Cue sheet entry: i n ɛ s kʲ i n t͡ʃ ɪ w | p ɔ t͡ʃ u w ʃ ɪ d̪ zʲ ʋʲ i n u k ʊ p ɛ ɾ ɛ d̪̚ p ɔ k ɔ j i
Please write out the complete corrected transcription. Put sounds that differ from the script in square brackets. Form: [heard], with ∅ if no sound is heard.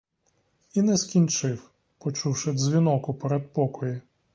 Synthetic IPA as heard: i n ɛ s kʲ i n t͡ʃ ɪ w | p ɔ t͡ʃ u w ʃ ɪ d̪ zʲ ʋʲ i n [ɔ] k ʊ p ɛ ɾ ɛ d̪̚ p ɔ k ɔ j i